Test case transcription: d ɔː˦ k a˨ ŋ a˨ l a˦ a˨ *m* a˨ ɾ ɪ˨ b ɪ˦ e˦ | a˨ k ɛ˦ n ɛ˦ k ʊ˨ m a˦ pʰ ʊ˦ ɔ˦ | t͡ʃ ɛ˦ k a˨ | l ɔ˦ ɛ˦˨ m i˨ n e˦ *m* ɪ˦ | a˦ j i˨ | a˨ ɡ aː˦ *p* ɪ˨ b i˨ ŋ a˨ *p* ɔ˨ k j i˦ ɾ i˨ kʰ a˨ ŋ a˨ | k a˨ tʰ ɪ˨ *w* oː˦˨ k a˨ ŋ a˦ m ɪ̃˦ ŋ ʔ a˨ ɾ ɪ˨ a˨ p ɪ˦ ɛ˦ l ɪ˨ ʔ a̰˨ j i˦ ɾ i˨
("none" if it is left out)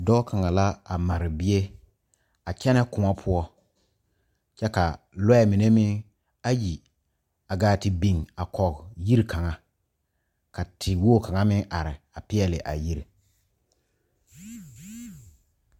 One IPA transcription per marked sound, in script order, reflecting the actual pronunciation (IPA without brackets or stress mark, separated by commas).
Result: m, m, t, k, w